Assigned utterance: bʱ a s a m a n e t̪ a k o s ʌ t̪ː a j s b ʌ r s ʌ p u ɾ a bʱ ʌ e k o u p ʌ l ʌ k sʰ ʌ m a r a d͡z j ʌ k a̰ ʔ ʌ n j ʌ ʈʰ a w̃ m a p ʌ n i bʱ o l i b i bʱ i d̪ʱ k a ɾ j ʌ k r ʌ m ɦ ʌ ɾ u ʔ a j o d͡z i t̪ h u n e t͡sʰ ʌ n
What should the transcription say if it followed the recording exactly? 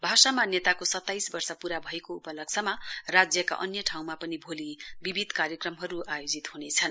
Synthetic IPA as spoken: bʱ a s a m a n e t̪ a k o s ʌ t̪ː a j s b ʌ r s ʌ p u ɾ a bʱ ʌ e k o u p ʌ l ʌ k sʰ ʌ m a r a d͡z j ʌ k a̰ ʔ ʌ n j ʌ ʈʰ a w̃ m a p ʌ n i bʱ o l i b i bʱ i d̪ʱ k a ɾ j ʌ k r ʌ m ɦ ʌ ɾ u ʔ a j o d͡z i t̪ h u n e t͡sʰ ʌ n